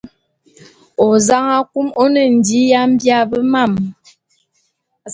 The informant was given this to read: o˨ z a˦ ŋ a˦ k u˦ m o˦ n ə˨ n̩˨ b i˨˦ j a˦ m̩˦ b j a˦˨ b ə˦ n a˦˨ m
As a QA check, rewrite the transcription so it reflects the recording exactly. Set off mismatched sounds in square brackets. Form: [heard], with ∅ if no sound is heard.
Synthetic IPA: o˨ z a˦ ŋ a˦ k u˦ m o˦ n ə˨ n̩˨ [d] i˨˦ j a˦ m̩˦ b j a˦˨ b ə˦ [m] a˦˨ m